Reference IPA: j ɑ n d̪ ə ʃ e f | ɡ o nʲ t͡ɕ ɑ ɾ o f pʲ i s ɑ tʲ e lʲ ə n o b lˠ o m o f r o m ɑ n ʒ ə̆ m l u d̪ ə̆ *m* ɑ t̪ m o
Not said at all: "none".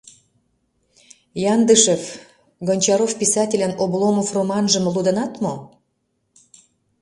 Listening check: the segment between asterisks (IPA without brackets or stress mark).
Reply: n